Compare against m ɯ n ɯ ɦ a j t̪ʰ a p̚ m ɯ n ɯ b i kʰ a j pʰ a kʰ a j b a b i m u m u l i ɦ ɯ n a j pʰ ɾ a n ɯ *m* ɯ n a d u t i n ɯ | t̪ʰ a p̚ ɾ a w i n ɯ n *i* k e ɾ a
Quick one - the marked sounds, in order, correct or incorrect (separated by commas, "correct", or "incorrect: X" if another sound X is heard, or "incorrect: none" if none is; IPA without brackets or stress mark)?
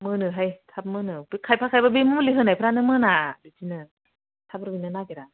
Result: correct, incorrect: a